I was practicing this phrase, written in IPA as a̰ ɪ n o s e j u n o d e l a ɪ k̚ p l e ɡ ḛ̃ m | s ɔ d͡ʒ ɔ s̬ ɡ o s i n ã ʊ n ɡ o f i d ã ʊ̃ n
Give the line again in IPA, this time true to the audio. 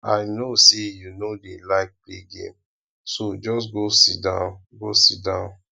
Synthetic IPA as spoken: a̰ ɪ n o s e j u n o d e l a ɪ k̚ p l e ɡ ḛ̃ m | s o d͡ʒ ɔ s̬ ɡ o s i d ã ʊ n ɡ o s i d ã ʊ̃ n